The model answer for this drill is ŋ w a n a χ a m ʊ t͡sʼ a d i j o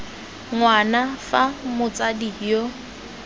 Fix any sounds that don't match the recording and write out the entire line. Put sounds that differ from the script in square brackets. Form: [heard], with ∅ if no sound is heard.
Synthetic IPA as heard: ŋ w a n a [f] a m ʊ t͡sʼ a d i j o